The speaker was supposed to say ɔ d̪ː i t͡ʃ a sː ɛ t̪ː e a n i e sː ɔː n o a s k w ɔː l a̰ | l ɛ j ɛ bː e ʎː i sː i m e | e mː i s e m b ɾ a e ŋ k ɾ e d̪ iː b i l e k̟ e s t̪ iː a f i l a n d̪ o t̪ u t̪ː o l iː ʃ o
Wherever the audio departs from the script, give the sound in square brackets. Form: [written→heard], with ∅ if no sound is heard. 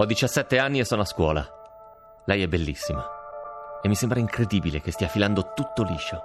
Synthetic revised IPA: ɔ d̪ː i t͡ʃ a sː ɛ t̪ː e a [n→nː] i e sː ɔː n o a s k w ɔː l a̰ | l ɛ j ɛ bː e [ʎː→lː] i sː i m [e→a] | e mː i s e m b ɾ a [e→i] ŋ k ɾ e d̪ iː b i l e k̟ e s t̪ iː a f i l a n d̪ o t̪ u t̪ː o l iː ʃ o